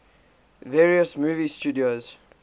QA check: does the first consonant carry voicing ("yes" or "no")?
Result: yes